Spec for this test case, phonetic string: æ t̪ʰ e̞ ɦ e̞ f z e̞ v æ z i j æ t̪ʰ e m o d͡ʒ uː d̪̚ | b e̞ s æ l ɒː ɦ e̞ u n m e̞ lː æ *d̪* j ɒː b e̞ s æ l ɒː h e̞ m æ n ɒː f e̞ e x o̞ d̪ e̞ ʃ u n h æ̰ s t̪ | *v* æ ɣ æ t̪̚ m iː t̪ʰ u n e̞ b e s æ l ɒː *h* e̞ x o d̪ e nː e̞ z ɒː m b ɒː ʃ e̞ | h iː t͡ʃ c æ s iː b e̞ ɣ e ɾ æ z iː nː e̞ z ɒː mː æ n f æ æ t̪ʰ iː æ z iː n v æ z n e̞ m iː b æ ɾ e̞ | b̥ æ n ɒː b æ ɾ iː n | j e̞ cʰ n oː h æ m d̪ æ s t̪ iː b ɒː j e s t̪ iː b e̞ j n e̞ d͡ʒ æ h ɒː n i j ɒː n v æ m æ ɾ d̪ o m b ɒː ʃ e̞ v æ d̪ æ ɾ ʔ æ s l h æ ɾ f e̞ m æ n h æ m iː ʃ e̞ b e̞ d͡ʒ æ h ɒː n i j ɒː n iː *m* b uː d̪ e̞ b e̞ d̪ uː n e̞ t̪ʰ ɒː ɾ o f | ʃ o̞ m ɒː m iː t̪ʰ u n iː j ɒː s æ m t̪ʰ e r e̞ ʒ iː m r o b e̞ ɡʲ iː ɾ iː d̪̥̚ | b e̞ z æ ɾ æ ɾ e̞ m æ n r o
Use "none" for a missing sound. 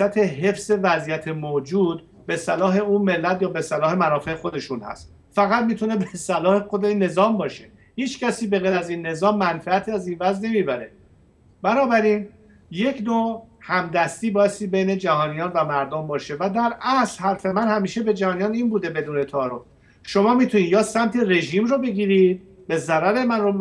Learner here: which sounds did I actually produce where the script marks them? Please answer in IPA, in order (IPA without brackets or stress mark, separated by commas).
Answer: t̪, f, h, n